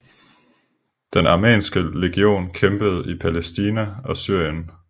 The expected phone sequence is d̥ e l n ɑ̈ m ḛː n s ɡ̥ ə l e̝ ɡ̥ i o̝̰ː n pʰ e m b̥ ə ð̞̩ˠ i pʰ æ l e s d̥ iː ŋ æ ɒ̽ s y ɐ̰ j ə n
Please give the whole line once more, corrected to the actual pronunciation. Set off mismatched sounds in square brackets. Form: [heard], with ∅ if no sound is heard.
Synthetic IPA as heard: d̥ e [∅] n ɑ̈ m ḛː n s ɡ̥ ə l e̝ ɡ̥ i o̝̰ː n [kʰ] e m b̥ ə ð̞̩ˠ i pʰ æ l e s d̥ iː [n] æ ɒ̽ s y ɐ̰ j ə n